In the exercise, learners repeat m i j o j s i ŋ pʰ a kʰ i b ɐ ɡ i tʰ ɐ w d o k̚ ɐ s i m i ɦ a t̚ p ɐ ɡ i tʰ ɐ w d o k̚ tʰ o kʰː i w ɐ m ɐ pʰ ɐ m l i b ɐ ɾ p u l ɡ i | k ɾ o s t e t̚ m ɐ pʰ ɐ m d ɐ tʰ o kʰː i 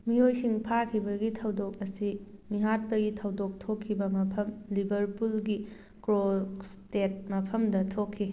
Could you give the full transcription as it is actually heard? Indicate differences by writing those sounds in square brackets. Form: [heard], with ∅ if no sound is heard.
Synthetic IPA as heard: m i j o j s i ŋ pʰ a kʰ i b ɐ ɡ i tʰ ɐ w d o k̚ ɐ s i m i ɦ a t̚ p ɐ ɡ i tʰ ɐ w d o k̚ tʰ o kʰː i [b] ɐ m ɐ pʰ ɐ m l i b ɐ ɾ p u l ɡ i | k ɾ o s t e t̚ m ɐ pʰ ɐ m d ɐ tʰ o kʰː i